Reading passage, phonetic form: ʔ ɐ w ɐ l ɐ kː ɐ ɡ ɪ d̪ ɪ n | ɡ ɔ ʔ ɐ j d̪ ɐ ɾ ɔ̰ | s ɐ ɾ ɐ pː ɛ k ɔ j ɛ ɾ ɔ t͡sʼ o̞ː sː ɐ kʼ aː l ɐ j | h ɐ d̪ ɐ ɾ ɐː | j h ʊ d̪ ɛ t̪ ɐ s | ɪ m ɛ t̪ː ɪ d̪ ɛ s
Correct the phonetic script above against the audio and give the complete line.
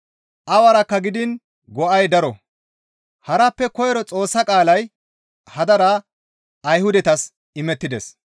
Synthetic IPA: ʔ ɐ w ɐ ɾ ɐ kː ɐ ɡ ɪ d̪ ɪ n | ɡ ɔ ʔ ɐ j d̪ ɐ ɾ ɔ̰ | h ɐ ɾ ɐ pː ɛ k ɔ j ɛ ɾ ɔ t͡sʼ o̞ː sː ɐ kʼ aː l ɐ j | h ɐ d̪ ɐ ɾ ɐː | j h ʊ d̪ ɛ t̪ ɐ s | ɪ m ɛ t̪ː ɪ d̪ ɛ s